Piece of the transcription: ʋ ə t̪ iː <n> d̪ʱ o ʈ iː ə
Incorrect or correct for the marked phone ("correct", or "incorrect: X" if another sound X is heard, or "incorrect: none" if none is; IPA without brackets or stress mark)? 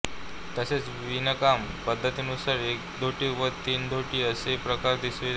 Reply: correct